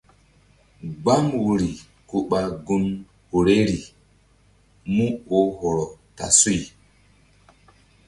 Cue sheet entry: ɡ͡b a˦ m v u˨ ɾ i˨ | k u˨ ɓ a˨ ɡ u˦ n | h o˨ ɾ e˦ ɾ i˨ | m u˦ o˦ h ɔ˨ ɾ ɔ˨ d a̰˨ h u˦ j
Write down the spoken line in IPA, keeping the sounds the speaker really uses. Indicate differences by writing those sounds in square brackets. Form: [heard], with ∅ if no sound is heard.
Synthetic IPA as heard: ɡ͡b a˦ m [w] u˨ ɾ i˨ | k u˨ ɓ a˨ ɡ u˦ n | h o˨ ɾ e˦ ɾ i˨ | m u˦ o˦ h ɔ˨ ɾ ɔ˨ [t] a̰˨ [s] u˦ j